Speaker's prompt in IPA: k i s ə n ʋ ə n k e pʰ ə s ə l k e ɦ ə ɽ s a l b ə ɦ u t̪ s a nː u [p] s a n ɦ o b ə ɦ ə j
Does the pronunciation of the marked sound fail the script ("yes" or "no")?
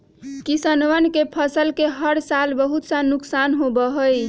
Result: yes